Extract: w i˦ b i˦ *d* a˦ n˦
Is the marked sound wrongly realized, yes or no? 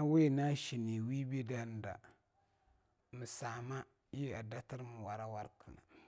no